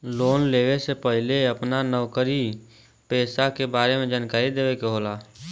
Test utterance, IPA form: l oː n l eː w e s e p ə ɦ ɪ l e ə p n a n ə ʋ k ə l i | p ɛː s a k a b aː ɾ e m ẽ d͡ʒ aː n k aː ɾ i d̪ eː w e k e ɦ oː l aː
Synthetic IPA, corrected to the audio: l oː n l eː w e s e p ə ɦ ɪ l e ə p n a n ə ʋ k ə ɾ i | p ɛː s a k e b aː ɾ e m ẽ d͡ʒ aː n k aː ɾ i d̪ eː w e k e ɦ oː l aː